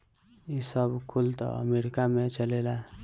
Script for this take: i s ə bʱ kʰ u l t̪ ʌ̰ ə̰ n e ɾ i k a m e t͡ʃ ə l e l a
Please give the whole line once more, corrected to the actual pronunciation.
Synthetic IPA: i s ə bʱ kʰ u l t̪ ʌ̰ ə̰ m e ɾ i k a m e t͡ʃ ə l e l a